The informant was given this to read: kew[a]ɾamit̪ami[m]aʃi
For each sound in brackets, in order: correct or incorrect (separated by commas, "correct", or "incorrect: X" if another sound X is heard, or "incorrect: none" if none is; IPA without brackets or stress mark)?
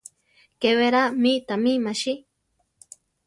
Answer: incorrect: e, correct